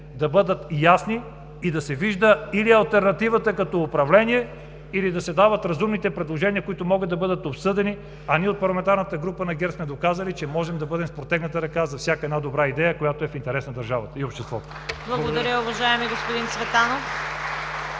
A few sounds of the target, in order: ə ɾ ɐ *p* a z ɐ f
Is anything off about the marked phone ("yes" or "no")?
yes